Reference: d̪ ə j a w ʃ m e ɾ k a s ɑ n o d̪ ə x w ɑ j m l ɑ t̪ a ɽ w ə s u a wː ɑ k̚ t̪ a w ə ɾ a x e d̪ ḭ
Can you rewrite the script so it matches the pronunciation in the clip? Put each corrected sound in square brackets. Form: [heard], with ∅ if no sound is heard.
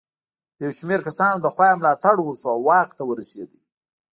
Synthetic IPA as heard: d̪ ə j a w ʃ m e ɾ k a s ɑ n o d̪ ə x w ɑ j m l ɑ t̪ a ɽ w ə s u a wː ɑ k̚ t̪ a w ə ɾ a [s] e d̪ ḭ